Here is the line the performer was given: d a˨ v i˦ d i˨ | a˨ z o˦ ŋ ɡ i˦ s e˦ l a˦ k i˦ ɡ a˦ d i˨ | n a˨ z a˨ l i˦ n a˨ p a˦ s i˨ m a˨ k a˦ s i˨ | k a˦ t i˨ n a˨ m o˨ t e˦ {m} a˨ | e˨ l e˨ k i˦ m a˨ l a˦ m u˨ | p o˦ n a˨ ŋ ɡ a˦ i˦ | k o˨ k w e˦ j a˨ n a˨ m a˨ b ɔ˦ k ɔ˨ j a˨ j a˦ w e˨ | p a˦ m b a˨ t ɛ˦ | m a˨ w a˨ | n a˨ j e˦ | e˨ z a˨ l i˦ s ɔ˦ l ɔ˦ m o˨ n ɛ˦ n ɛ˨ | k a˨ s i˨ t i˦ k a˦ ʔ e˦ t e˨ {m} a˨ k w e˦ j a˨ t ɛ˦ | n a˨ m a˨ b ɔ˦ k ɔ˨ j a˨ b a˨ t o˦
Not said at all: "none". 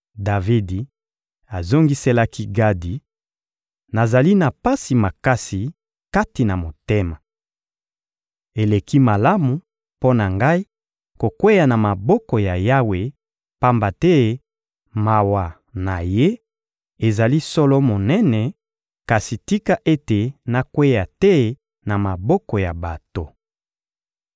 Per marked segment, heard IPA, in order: m, n

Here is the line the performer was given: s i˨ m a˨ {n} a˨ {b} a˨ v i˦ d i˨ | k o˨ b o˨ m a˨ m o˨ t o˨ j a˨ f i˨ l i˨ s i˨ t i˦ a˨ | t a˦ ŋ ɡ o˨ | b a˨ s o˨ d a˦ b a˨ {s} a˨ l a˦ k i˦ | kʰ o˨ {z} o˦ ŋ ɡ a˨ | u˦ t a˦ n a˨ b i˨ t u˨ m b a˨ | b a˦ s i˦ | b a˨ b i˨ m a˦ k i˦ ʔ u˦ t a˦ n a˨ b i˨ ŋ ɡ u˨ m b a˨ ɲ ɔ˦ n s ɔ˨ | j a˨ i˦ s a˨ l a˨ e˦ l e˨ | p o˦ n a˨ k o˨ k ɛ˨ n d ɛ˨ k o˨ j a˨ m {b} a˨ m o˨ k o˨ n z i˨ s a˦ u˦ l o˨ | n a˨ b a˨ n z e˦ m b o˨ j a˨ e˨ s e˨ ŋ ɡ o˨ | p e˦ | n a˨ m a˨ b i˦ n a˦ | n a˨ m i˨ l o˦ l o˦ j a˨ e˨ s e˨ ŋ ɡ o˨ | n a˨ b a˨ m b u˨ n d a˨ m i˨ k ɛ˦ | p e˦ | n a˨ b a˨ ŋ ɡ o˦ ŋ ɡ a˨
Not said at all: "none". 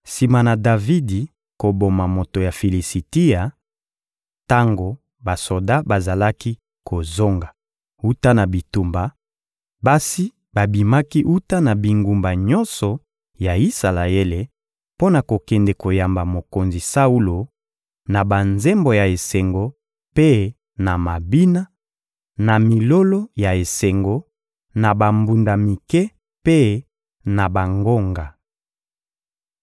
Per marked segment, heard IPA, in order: n, d, z, z, b

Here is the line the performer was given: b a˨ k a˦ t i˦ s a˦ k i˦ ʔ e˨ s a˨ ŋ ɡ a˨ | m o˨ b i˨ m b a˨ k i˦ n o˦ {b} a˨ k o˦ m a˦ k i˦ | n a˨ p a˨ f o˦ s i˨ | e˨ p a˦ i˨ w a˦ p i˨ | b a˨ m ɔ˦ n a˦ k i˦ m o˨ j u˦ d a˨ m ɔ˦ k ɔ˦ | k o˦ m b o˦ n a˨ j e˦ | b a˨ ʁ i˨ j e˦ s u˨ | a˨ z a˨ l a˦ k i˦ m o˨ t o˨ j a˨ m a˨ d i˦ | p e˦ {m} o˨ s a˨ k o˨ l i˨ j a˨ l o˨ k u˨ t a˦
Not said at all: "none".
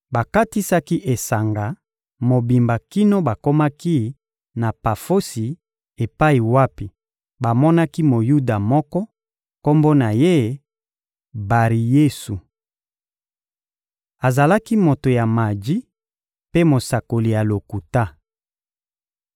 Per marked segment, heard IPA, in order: b, m

